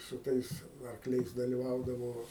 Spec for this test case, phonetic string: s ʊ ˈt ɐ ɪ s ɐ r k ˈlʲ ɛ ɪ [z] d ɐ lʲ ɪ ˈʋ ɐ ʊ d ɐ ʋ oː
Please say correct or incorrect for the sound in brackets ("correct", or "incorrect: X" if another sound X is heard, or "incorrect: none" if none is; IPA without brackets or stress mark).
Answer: incorrect: s